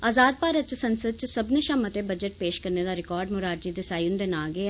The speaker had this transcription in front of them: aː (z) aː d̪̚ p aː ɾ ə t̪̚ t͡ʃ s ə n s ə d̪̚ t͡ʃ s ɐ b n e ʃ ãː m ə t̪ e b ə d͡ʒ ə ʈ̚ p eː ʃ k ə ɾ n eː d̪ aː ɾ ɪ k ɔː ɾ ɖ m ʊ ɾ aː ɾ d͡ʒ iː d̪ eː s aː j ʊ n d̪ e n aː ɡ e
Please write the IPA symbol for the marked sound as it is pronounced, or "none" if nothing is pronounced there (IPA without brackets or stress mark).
z